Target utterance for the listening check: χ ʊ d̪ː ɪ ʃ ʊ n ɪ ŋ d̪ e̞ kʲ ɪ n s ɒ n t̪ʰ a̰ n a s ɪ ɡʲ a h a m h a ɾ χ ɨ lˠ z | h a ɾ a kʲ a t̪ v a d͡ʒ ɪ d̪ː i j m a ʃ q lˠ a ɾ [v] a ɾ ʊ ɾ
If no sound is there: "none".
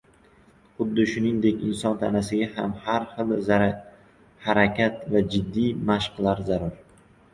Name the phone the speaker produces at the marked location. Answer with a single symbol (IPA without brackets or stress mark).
z